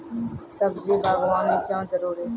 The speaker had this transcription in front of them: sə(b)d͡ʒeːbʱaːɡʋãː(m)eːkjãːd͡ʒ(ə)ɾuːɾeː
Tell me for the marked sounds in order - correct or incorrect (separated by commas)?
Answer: correct, incorrect, correct